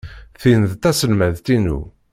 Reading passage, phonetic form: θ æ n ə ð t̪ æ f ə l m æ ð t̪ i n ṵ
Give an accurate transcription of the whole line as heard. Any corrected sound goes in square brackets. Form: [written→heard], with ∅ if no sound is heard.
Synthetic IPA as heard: θ [æ→i] n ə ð t̪ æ [f→s] ə l m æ ð t̪ i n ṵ